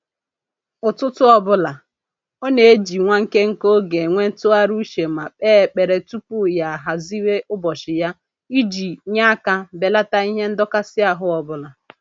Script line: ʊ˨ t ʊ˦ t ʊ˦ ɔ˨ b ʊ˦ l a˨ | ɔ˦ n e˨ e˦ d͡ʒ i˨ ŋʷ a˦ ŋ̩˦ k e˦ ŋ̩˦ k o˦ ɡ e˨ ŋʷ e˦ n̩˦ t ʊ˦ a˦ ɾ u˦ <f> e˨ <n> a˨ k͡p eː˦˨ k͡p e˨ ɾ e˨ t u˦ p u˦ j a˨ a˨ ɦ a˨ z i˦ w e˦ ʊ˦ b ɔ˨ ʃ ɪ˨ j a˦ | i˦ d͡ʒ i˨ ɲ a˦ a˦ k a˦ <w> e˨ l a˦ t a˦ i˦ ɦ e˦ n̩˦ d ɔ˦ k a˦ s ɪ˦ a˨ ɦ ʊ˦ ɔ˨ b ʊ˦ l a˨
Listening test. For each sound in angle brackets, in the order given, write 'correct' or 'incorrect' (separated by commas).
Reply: incorrect, incorrect, incorrect